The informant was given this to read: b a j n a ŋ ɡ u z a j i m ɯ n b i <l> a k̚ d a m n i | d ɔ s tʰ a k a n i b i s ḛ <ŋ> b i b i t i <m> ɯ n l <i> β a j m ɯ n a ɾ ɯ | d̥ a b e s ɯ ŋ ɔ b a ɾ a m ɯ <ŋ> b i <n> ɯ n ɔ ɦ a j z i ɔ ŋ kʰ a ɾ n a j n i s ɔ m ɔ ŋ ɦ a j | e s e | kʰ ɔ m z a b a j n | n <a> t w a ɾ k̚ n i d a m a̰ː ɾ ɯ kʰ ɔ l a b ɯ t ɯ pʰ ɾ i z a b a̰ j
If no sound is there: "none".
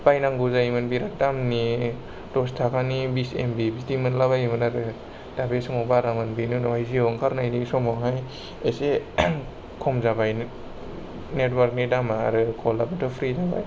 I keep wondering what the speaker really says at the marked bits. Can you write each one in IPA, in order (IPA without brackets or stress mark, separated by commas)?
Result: ɾ, m, m, a, n, n, e